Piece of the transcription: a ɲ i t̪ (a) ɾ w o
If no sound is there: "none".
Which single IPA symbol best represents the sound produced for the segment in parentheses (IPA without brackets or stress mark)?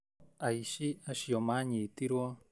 i